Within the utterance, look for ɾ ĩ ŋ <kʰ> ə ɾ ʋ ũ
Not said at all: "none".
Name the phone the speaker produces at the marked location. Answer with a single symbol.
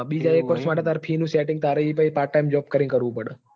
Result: k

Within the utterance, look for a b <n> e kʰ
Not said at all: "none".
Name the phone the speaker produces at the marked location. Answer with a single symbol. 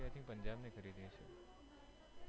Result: n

